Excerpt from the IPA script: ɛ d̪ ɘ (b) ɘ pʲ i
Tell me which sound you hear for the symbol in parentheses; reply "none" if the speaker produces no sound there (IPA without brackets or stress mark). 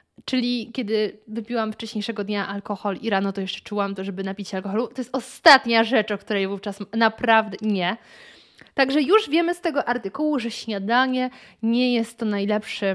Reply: v